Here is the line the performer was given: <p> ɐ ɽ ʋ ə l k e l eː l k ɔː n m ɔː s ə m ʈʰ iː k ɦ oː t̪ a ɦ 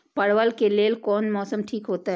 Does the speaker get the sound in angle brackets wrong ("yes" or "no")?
no